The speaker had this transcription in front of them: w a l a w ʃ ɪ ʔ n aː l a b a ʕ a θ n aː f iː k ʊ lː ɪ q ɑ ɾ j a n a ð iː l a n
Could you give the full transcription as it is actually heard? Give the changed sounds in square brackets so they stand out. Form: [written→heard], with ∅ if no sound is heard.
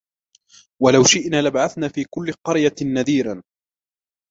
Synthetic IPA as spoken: w a l a w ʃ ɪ ʔ n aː l a b a ʕ a θ n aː f iː k ʊ lː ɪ q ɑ ɾ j a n a ð iː [l→ɾ] a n